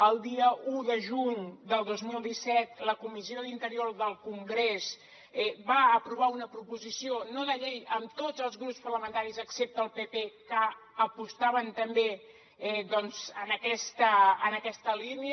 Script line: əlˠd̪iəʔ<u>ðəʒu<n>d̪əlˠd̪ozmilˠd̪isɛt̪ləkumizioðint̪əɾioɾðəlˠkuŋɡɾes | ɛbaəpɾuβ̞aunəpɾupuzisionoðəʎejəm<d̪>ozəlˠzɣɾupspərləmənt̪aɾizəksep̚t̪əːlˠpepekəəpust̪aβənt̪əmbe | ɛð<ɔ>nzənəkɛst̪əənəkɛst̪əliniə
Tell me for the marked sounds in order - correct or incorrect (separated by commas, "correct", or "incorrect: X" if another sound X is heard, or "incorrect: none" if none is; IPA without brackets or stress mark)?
correct, incorrect: ɲ, incorrect: t̪, correct